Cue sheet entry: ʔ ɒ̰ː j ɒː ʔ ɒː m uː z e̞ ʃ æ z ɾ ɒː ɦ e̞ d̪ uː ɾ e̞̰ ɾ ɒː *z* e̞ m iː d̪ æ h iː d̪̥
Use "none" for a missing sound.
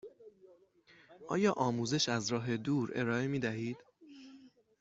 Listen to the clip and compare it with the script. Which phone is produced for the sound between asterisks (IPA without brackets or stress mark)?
none